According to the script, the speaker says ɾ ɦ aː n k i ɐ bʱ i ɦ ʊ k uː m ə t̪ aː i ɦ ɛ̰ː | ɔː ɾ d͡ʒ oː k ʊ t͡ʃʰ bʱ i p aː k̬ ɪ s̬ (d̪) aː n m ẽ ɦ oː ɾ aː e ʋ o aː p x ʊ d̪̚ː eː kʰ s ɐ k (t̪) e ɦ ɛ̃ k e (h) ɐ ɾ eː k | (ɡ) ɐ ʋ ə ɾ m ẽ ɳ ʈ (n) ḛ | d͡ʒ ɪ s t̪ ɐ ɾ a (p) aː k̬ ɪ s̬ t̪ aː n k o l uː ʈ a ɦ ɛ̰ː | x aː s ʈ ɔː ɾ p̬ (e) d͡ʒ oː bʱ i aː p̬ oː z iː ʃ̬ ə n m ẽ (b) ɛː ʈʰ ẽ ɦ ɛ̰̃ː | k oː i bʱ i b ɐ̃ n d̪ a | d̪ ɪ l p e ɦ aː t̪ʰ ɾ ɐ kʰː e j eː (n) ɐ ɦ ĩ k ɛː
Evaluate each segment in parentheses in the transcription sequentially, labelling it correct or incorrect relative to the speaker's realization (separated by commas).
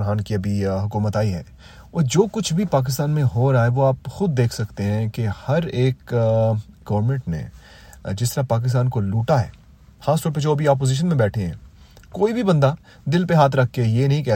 incorrect, correct, correct, correct, correct, correct, correct, correct, correct